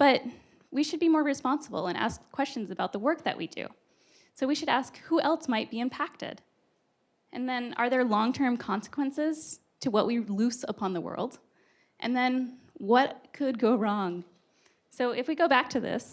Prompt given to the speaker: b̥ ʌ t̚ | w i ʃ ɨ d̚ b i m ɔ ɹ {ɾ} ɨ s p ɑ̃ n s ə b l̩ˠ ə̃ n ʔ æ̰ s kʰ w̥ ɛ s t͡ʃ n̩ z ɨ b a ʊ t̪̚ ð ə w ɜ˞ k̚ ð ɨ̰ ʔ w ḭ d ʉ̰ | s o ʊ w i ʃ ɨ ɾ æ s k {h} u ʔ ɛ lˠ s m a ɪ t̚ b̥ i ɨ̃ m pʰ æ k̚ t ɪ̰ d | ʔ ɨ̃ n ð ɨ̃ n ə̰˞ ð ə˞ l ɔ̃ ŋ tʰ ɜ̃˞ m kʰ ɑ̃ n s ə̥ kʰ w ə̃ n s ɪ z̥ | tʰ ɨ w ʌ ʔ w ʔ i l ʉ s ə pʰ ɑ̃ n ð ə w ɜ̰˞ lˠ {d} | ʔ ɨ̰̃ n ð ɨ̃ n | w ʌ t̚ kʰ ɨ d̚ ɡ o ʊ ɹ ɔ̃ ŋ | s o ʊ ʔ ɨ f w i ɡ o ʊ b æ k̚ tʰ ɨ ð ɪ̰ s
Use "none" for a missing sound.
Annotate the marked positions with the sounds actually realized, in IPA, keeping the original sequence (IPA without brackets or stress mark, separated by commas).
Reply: ɹ, h, d